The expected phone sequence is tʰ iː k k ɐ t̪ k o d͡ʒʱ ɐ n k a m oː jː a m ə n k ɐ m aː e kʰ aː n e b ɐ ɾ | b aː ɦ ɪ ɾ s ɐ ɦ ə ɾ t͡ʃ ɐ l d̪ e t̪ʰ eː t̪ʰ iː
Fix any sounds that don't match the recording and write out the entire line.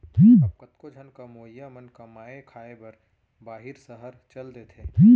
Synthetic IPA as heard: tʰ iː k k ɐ t̪ k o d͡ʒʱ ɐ n k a m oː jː a m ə n k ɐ m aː e kʰ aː e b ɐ ɾ | b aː ɦ ɪ ɾ s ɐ ɦ ə ɾ t͡ʃ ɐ l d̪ e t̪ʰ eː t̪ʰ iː